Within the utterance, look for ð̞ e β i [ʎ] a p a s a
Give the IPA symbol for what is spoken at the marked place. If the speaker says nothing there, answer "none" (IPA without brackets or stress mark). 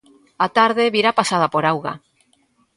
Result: ɾ